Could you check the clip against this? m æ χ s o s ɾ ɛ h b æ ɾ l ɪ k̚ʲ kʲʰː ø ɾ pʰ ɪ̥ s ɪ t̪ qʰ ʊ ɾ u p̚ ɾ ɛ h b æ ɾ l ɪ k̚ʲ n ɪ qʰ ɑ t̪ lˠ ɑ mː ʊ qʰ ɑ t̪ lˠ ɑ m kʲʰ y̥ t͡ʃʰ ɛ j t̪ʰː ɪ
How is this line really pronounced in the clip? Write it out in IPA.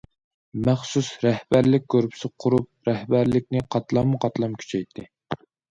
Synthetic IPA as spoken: m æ χ s u s ɾ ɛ h b æ ɾ l ɪ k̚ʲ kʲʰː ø ɾ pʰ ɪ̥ s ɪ qʰ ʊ ɾ u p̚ ɾ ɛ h b æ ɾ l ɪ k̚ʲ n ɪ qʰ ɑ t̪ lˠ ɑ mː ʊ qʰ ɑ t̪ lˠ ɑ m kʲʰ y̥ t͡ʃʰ ɛ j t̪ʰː ɪ